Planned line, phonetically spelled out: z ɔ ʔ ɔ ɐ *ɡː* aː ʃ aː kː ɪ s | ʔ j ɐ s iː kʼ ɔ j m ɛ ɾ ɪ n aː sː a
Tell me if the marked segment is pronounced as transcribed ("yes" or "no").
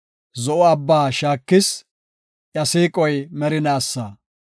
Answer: no